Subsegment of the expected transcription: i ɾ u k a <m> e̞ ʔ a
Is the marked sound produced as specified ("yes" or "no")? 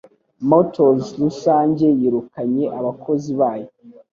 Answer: no